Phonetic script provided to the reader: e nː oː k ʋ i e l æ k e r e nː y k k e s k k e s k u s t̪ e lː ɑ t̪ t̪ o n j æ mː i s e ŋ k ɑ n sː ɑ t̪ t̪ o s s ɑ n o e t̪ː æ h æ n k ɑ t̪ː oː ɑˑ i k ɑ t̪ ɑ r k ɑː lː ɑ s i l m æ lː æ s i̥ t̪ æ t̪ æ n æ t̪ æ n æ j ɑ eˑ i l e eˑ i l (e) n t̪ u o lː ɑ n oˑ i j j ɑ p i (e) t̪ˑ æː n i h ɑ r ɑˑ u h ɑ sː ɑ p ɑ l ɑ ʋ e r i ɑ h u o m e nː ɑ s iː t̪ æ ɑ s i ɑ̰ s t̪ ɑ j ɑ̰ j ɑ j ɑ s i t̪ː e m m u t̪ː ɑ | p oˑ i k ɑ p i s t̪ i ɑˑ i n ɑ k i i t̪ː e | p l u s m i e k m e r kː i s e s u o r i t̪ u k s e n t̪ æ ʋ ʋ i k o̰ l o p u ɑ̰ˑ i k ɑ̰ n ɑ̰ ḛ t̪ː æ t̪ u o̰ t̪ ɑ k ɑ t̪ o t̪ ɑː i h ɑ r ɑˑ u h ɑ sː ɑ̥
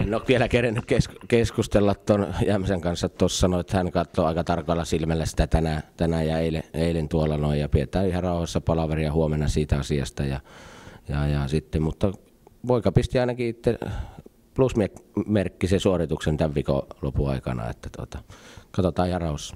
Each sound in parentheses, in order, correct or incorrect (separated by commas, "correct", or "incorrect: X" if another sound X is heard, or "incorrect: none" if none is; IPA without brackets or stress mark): correct, correct